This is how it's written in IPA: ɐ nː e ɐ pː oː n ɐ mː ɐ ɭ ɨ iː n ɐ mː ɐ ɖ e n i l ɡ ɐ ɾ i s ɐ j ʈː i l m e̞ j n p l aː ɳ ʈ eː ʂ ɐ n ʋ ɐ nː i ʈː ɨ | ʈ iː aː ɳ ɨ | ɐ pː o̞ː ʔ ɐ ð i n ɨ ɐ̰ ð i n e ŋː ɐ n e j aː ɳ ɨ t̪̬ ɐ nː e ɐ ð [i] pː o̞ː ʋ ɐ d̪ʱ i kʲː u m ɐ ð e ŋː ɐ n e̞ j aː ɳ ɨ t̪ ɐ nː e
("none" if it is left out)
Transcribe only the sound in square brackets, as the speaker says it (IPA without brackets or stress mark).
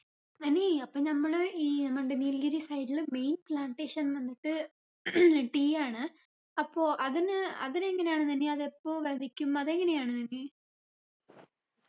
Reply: e